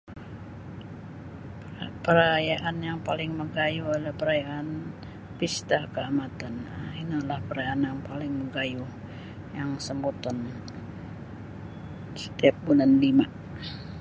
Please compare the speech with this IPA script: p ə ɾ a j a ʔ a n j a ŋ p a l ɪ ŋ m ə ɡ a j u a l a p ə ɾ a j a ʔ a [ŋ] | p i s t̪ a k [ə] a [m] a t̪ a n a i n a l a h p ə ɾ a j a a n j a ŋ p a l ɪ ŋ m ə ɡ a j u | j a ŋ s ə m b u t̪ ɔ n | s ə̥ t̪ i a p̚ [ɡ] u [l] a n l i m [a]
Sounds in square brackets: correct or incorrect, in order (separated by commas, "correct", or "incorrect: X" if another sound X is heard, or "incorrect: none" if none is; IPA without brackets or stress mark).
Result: incorrect: n, correct, correct, incorrect: b, correct, correct